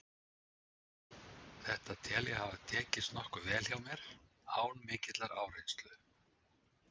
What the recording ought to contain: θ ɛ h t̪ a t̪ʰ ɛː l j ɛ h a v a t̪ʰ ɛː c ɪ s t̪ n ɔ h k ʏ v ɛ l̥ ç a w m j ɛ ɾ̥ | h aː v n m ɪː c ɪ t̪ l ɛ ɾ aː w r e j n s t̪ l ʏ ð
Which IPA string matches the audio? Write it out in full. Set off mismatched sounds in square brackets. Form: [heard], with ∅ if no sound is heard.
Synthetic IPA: θ ɛ h t̪ a t̪ʰ ɛː l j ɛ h a v a t̪ʰ ɛː c ɪ s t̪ n ɔ h k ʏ v [ɛː] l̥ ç a w m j ɛ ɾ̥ | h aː [w] n m ɪː c ɪ t̪ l [a] ɾ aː w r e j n s t̪ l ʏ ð